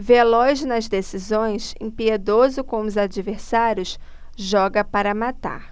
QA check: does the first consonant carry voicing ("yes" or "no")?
yes